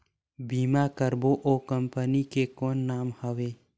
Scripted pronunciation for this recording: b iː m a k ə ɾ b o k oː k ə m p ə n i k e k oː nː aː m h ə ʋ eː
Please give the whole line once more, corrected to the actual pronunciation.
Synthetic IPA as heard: b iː m a k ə ɾ b o ʔ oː k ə m p ə n i k e k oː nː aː m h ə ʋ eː